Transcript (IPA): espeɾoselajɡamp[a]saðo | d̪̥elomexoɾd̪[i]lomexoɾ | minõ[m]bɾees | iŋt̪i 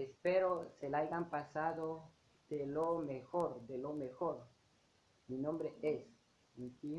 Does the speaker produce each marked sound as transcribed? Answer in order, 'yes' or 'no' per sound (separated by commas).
yes, no, yes